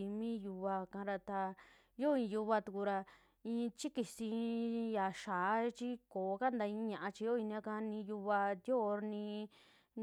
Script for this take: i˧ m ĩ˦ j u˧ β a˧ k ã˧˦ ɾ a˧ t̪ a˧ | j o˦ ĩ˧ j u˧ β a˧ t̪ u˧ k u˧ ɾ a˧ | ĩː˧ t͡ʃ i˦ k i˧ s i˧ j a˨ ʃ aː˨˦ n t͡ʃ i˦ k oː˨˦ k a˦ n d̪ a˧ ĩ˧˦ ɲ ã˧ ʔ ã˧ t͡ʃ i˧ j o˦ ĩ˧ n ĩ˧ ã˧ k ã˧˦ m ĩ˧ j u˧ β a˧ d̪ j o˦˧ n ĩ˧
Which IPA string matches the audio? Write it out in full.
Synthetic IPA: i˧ m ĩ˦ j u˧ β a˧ k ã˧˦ ɾ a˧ t̪ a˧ | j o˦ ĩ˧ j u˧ β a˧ t̪ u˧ k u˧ ɾ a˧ | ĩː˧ t͡ʃ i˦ k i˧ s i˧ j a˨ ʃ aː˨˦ t͡ʃ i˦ k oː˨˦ k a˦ n d̪ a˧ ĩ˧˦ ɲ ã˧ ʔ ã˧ t͡ʃ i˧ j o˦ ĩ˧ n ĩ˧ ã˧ k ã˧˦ n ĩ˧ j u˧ β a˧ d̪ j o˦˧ n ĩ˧